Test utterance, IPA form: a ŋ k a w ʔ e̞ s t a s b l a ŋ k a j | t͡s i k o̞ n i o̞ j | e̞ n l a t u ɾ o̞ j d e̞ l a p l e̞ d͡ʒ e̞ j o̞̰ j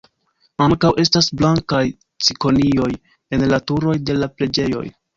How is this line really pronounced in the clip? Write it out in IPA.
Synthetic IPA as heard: a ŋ k a w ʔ e̞ s t a s b l a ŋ k a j | t͡s i k o̞ n i o̞ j | e̞ n l a t u ɾ o̞ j d e̞ l a p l e̞ d͡ʒ e̞ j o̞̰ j